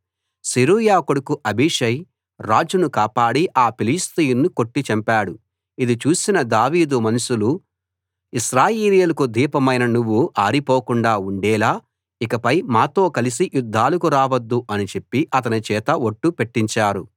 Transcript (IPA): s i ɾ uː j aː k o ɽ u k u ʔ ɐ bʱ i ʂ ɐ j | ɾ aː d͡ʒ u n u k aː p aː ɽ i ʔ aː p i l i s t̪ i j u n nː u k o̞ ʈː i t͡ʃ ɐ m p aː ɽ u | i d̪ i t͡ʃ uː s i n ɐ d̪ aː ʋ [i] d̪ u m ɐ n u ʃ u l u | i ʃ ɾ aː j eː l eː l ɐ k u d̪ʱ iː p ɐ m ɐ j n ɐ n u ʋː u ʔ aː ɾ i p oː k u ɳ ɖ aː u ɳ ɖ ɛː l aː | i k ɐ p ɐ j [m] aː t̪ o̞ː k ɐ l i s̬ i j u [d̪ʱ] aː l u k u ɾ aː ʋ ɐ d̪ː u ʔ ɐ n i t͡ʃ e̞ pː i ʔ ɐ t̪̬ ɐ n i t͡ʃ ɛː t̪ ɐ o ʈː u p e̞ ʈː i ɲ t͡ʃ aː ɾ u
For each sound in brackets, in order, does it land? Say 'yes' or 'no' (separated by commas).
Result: no, yes, no